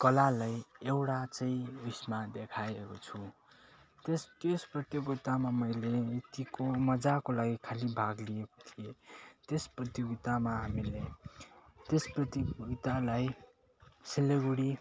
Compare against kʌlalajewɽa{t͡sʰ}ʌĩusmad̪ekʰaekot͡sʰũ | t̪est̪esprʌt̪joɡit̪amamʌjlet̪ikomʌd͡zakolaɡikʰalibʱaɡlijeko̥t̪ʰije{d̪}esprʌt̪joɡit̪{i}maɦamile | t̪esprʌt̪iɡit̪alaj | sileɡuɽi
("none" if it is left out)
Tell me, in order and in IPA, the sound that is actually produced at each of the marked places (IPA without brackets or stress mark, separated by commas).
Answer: t͡s, t̪, a